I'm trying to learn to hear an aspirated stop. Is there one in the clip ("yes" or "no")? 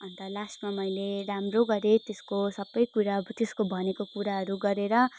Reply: no